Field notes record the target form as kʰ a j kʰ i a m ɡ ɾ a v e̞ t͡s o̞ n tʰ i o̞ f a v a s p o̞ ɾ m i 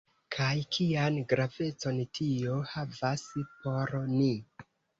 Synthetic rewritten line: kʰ a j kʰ i a n ɡ ɾ a v e̞ t͡s o̞ n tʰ i o̞ h a v a s p o̞ ɾ n i

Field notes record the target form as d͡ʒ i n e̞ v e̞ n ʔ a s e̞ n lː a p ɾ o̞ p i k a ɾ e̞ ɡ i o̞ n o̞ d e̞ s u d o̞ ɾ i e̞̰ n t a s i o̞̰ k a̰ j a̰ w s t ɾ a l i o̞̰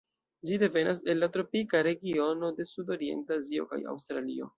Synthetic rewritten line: d͡ʒ i d e̞ v e̞ n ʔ a s e̞ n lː a t ɾ o̞ p i k a ɾ e̞ ɡ i o̞ n o̞ d e̞ s u d o̞ ɾ i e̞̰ n t a z i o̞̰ k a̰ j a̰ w s t ɾ a l i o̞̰

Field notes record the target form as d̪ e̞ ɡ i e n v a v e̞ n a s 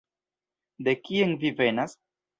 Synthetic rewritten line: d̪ e̞ k i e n v i v e̞ n a s

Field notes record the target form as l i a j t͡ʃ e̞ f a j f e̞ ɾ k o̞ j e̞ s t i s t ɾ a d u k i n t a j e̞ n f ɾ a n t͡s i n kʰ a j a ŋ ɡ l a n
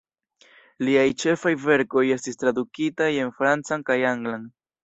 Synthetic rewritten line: l i a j t͡ʃ e̞ f a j v e̞ ɾ k o̞ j e̞ s t i s t ɾ a d u k i t a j e̞ n f ɾ a n t͡s a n k a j a ŋ ɡ l a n

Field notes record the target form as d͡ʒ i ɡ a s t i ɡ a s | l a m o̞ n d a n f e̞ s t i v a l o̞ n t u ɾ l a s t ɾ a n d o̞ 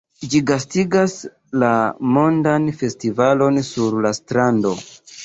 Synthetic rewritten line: d͡ʒ i ɡ a s t i ɡ a s | l a m o̞ n d a n f e̞ s t i v a l o̞ n s u ɾ l a s t ɾ a n d o̞

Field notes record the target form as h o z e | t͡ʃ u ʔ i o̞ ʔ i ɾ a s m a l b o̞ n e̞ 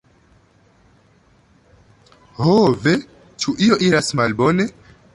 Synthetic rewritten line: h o v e | t͡ʃ u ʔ i o̞ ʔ i ɾ a s m a l b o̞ n e̞

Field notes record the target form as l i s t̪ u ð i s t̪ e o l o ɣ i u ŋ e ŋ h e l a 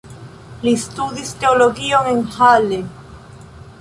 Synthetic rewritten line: l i s t̪ u ð i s t̪ e o l o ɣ i o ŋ e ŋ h a l e

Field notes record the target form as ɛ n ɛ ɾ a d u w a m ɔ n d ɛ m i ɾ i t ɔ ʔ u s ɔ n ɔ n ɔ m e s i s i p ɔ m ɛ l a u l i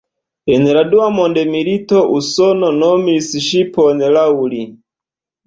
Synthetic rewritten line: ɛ n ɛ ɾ a d u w a m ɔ n d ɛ m i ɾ i t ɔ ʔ u s ɔ n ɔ n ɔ m i s i ʃ i p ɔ n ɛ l a u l i

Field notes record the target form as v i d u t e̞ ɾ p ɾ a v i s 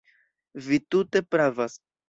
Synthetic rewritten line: v i t u t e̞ p ɾ a v a s

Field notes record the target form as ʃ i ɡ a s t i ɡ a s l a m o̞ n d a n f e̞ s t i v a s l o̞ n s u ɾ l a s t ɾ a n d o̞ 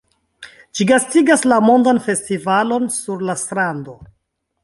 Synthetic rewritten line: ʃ i ɡ a s t i ɡ a s l a m o̞ n d a n f e̞ s t i v a l o̞ n s u ɾ l a s t ɾ a n d o̞

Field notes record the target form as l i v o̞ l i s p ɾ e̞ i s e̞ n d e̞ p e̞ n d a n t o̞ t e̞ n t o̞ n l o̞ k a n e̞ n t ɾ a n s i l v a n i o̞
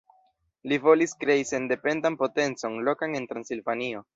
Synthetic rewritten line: l i v o̞ l i s k ɾ e̞ i s e̞ n d e̞ p e̞ n d a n p o̞ t e̞ n t͡s o̞ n l o̞ k a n e̞ n t ɾ a n s i l v a n i o̞

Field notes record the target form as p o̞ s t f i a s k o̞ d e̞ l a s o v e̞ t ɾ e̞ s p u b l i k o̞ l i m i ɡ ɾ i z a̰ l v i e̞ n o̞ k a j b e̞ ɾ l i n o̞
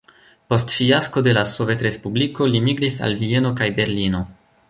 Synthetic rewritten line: p o̞ s t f i a s k o̞ d e̞ l a s o v e̞ t ɾ e̞ s p u b l i k o̞ l i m i ɡ ɾ i s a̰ l v i e̞ n o̞ k a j b e̞ ɾ l i n o̞

